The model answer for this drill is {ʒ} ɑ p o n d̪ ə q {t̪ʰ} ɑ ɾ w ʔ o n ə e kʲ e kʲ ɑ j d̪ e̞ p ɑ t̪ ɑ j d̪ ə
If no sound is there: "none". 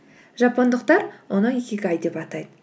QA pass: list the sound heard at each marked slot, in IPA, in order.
ʒ, t̪

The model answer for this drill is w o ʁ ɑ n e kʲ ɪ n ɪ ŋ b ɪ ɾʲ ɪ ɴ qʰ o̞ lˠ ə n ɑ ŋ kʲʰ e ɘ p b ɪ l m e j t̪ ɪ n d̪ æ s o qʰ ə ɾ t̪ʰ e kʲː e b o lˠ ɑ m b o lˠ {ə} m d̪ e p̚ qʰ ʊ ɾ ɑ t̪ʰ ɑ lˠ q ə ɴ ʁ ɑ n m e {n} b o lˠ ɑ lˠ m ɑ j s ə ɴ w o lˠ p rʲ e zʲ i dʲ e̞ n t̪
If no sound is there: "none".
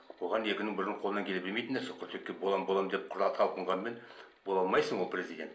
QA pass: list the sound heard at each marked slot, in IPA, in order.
ɑ, n

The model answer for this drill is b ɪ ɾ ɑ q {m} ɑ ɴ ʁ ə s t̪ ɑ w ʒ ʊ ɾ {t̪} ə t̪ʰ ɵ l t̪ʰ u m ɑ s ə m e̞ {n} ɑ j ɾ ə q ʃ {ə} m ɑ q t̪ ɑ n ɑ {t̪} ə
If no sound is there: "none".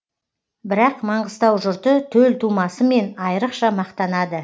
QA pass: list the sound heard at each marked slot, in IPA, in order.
m, t̪, n, ɑ, d̪

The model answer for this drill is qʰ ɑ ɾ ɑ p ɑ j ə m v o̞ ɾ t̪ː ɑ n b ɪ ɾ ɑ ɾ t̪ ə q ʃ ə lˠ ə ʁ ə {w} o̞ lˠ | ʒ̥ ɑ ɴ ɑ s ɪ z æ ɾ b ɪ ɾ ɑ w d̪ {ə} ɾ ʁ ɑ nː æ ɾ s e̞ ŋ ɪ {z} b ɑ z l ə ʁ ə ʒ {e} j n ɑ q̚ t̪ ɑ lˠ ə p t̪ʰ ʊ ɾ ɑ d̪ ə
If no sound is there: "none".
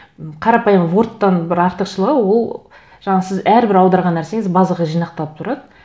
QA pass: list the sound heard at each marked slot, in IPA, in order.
w, ɑ, z, i

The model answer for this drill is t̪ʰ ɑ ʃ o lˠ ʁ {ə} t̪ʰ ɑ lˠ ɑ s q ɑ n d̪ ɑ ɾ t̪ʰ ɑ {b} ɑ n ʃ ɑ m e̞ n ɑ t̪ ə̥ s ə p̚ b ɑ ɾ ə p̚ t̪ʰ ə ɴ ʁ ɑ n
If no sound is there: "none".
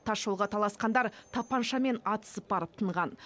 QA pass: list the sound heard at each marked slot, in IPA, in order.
ɑ, p

